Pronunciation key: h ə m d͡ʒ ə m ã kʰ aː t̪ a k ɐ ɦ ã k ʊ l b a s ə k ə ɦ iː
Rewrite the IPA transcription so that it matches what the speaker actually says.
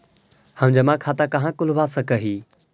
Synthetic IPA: h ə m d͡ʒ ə m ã kʰ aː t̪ a k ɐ ɦ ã k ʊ l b a s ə k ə ɦ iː